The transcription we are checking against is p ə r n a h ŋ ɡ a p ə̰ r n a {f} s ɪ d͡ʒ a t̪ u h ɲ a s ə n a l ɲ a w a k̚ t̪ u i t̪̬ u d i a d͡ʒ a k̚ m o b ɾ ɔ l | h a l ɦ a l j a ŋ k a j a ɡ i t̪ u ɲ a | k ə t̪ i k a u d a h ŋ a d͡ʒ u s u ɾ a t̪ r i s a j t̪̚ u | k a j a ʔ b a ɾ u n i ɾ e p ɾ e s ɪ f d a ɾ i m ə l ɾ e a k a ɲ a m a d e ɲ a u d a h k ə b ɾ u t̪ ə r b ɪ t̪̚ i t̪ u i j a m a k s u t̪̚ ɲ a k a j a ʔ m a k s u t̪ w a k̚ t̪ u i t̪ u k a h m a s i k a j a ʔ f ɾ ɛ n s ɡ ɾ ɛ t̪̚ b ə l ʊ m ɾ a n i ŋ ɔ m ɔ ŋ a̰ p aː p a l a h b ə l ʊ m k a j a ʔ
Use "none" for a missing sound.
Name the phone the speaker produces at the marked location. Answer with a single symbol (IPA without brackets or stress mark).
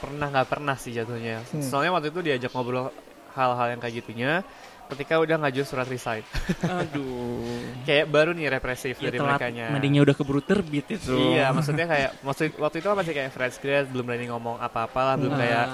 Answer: h